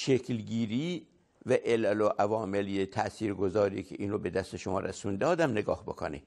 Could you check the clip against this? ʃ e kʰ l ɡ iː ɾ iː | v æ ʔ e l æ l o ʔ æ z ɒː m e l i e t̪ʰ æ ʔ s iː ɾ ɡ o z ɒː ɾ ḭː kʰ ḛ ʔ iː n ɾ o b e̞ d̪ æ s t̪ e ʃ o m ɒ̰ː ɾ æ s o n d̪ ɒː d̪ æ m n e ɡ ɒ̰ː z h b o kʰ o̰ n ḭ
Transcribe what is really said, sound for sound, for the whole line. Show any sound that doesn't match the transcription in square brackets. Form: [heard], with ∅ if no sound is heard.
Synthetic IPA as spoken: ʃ e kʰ l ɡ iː ɾ iː | v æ ʔ e l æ l o ʔ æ [v] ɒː m e l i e t̪ʰ æ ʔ s iː ɾ ɡ o z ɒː ɾ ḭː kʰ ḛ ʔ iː n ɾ o b e̞ d̪ æ s t̪ e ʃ o m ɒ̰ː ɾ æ s [u] n d̪ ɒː d̪ æ m n e ɡ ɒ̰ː [∅] h b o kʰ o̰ n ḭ